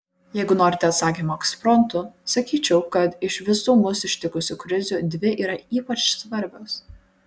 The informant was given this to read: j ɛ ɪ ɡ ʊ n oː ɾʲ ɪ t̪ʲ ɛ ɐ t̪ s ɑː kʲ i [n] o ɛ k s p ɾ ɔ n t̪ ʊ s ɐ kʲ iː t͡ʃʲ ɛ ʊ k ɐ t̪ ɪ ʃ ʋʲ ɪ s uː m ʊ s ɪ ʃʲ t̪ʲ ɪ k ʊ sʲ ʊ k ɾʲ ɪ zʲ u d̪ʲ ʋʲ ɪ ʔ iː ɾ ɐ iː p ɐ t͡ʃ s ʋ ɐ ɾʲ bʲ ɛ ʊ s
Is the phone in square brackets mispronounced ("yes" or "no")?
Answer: yes